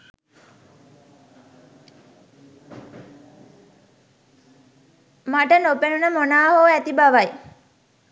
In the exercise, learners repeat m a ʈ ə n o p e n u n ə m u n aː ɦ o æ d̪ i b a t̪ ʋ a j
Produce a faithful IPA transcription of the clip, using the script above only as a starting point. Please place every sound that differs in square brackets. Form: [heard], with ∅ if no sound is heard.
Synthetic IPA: m a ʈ ə n o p e n u n ə m [o] n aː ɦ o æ [t̪] i b a [∅] ʋ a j